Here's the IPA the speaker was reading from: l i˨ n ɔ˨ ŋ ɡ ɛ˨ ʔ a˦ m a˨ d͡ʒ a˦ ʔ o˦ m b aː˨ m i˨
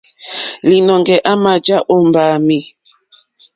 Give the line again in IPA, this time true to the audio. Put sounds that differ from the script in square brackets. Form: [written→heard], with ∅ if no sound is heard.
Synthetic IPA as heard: l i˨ n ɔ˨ ŋ ɡ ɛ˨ ʔ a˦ m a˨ d͡ʒ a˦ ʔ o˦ m b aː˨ m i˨